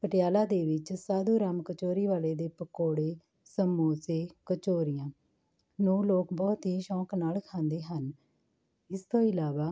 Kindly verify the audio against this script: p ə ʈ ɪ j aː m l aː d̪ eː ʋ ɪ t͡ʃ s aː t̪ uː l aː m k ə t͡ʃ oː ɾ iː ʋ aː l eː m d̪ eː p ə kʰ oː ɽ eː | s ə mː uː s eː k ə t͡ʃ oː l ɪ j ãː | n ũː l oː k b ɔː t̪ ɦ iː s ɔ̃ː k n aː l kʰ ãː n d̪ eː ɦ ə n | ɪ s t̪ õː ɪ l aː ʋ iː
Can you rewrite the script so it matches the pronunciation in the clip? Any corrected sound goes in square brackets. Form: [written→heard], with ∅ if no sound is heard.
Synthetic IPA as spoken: p ə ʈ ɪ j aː [m→∅] l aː d̪ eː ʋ ɪ t͡ʃ s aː [t̪→d̪] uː [l→ɾ] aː m k ə t͡ʃ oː ɾ iː ʋ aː l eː [m→∅] d̪ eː p ə [kʰ→k] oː ɽ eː | s ə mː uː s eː k ə t͡ʃ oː [l→ɾ] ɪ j ãː | n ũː l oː k b ɔː t̪ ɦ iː [s→ʃ] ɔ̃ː k n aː l kʰ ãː n d̪ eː ɦ ə n | ɪ s t̪ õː ɪ l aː ʋ [iː→aː]